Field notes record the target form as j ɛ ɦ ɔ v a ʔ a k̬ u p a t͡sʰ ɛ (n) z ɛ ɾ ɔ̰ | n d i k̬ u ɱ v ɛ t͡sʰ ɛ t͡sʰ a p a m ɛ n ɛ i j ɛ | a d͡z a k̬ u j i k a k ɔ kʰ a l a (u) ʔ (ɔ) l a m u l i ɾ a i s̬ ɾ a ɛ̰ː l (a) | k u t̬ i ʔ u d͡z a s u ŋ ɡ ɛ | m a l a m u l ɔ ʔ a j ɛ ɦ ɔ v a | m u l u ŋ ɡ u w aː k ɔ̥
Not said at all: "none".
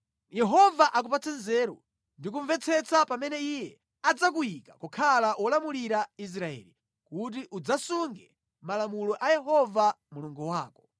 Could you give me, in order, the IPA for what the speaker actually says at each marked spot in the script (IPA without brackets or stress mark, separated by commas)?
n, w, ɔ, i